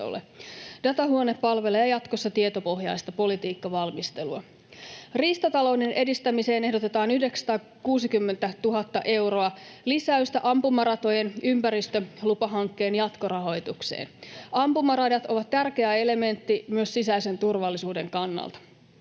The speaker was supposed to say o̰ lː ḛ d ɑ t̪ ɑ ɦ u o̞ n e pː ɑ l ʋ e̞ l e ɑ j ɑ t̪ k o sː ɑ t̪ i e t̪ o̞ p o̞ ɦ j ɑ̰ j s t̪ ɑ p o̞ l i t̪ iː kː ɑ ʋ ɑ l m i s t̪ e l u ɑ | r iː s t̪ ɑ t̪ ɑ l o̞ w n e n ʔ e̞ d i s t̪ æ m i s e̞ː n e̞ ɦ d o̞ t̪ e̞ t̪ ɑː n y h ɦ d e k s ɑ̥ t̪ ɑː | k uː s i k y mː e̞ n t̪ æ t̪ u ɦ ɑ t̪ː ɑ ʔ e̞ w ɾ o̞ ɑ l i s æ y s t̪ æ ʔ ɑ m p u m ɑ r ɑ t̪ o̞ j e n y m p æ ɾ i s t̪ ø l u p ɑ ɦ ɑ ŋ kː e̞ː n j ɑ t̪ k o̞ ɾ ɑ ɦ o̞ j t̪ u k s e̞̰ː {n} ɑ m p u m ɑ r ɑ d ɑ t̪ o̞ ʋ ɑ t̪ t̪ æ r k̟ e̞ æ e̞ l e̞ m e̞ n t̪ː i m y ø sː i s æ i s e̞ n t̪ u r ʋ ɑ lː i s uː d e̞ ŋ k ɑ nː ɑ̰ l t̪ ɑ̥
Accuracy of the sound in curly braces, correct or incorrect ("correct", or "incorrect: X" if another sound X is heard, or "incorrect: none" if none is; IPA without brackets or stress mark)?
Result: correct